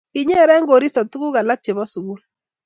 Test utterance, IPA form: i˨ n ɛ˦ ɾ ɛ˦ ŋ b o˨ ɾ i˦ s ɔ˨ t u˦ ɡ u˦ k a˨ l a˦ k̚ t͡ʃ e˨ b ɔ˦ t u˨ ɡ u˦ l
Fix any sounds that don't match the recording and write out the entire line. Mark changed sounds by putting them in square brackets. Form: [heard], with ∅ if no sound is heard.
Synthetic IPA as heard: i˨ [ɲ] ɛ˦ ɾ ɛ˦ ŋ [ɡ] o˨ ɾ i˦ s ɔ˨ t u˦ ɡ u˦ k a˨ l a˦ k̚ t͡ʃ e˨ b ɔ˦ [s] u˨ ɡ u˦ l